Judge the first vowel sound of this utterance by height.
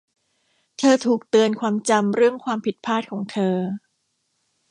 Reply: mid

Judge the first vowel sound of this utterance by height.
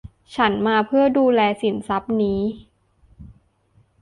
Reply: low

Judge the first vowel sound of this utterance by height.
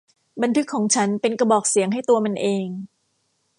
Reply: low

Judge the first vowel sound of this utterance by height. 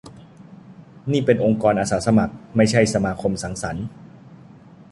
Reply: high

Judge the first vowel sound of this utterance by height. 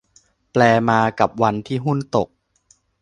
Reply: mid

